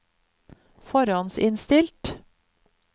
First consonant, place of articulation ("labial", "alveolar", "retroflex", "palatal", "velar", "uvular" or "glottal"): labial